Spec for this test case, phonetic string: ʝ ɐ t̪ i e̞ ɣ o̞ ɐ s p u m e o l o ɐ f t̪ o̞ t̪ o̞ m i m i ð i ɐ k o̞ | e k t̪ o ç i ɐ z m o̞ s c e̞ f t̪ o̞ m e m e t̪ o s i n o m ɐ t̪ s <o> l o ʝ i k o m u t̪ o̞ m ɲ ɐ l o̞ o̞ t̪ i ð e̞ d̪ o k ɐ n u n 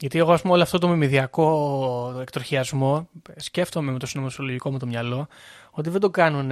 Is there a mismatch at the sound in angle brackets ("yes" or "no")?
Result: no